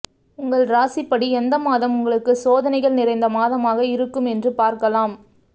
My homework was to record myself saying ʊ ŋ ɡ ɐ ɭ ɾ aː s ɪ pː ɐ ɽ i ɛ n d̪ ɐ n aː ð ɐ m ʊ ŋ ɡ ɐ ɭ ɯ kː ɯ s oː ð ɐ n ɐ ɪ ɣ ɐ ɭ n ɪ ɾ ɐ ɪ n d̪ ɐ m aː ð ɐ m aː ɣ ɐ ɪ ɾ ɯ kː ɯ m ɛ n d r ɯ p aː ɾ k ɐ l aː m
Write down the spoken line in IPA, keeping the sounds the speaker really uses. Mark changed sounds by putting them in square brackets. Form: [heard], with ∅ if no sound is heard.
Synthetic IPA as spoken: ʊ ŋ ɡ ɐ ɭ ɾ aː s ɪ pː ɐ ɽ i ɛ n d̪ ɐ [m] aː ð ɐ m ʊ ŋ ɡ ɐ ɭ ɯ kː ɯ s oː ð ɐ n ɐ ɪ ɣ ɐ ɭ n ɪ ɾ ɐ ɪ n d̪ ɐ m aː ð ɐ m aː ɣ ɐ ɪ ɾ ɯ kː ɯ m ɛ n d r ɯ p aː ɾ k ɐ l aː m